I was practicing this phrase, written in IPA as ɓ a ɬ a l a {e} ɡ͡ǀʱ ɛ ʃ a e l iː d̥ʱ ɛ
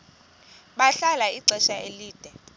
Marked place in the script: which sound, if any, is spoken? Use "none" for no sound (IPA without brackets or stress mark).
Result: i